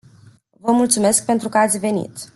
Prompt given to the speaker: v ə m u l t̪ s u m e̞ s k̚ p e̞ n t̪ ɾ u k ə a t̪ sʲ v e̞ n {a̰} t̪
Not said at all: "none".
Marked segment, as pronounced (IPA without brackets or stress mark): ḭ